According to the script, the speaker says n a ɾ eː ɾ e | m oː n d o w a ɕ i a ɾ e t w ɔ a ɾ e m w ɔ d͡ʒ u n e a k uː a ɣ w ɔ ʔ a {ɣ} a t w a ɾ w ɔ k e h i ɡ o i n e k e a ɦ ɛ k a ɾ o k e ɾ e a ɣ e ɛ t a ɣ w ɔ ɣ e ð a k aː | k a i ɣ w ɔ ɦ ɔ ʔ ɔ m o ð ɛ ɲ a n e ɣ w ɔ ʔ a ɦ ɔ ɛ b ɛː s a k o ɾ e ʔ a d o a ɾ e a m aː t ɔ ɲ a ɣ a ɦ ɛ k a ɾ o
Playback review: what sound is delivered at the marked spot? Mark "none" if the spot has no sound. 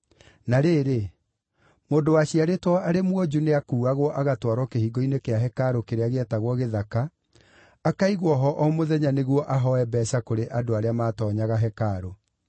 ɣ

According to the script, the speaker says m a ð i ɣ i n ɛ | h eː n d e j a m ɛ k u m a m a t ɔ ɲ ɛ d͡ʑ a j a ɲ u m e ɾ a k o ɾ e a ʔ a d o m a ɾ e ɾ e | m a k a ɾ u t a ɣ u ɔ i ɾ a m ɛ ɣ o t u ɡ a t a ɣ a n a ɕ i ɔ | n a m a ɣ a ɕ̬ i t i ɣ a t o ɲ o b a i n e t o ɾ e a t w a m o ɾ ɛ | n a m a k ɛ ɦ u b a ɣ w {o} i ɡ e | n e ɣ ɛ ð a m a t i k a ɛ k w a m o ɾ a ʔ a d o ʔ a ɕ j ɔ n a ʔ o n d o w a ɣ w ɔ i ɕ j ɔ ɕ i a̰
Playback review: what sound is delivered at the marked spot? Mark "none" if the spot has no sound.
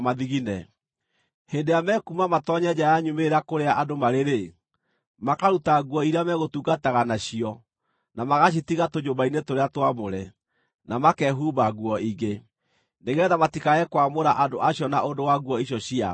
ɔ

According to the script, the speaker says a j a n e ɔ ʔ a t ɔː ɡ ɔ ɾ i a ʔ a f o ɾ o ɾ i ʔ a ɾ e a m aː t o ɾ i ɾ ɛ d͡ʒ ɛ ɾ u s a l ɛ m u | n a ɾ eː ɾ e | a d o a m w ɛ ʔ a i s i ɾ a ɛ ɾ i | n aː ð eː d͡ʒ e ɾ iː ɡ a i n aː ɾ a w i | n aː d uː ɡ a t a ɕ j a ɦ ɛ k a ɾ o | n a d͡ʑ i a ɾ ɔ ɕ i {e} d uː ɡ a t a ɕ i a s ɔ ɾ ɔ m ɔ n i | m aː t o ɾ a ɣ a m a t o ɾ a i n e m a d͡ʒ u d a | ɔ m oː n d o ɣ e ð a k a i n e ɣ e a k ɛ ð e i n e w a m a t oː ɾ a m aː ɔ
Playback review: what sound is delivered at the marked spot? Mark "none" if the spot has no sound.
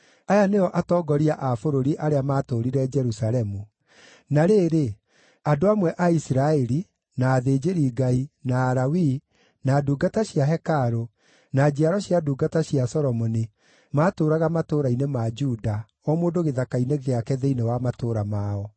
a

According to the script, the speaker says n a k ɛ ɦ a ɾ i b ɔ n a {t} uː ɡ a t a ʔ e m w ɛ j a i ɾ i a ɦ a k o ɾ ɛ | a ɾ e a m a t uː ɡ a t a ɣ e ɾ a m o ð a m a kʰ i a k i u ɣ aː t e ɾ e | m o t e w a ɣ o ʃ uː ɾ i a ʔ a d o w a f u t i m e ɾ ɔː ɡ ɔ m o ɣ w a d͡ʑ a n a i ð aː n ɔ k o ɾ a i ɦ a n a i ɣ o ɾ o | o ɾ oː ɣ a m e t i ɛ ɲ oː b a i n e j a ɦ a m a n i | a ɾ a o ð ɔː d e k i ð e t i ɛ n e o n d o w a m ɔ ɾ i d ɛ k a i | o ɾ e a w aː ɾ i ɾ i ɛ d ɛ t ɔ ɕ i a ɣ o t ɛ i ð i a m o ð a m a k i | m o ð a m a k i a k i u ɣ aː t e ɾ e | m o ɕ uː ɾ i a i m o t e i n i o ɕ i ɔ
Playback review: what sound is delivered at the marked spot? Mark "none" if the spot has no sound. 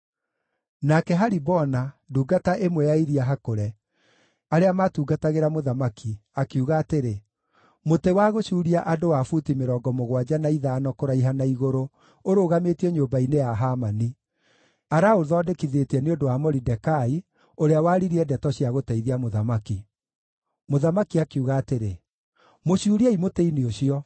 d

